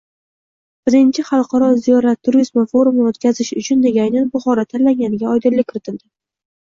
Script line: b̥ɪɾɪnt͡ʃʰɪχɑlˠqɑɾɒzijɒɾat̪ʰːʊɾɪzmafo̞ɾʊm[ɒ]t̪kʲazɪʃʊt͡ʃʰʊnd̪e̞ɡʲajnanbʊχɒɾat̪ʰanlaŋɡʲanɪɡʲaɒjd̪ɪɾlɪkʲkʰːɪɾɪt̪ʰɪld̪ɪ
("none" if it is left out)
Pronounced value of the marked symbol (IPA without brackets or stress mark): o